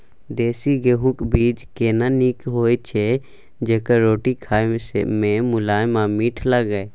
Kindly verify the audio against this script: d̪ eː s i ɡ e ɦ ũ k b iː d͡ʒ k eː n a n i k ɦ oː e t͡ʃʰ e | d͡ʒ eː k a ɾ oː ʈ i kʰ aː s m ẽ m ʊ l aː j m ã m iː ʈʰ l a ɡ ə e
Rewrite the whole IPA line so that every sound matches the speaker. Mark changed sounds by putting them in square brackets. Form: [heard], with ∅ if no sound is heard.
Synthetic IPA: d̪ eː s i ɡ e ɦ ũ k b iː d͡ʒ k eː n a n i k ɦ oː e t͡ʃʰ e | d͡ʒ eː k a ɾ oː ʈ i kʰ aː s m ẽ m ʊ l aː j m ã m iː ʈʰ l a ɡ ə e